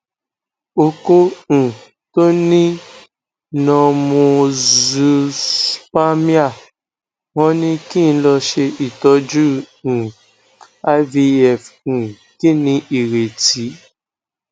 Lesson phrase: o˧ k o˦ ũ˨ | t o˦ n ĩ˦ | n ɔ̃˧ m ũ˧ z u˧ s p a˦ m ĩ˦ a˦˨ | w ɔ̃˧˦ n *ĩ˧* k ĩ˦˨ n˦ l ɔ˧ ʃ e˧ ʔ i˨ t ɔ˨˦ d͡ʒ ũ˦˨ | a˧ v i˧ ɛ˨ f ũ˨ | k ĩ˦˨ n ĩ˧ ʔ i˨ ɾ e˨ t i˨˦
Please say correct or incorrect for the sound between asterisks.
correct